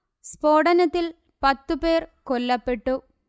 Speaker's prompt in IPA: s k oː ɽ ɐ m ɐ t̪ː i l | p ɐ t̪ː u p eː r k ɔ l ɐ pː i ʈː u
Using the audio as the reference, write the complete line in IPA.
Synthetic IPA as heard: s p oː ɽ ɐ n ɐ t̪ː i l | p ɐ t̪ː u p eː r k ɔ lː ɐ pː e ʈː u